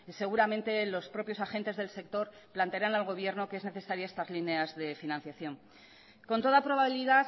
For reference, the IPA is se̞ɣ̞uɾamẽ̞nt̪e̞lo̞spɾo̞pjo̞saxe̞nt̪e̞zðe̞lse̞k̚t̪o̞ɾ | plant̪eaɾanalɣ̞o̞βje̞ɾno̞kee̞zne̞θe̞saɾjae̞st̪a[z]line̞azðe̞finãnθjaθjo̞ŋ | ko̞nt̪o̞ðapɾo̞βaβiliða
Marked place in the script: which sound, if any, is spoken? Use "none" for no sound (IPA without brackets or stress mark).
z